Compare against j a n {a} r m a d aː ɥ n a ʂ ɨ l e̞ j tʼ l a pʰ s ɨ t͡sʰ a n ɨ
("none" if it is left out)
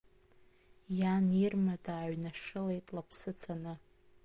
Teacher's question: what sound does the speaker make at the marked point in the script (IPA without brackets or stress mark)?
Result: i